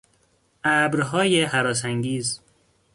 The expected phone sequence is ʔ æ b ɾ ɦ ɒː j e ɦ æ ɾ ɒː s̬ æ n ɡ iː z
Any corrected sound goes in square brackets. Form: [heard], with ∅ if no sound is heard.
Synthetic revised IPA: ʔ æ b ɾ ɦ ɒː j e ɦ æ ɾ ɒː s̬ æ [ŋ] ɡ iː z